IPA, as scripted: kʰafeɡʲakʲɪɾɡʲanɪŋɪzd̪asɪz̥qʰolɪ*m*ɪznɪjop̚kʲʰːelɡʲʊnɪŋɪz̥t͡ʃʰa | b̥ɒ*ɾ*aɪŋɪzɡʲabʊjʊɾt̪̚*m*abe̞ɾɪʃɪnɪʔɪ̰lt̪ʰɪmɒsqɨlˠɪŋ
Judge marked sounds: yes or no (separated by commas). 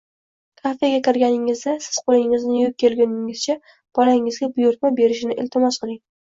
no, no, yes